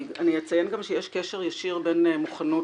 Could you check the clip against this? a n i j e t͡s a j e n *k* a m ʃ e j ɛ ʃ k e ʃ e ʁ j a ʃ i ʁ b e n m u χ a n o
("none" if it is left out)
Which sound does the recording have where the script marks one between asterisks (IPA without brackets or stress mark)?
ɡ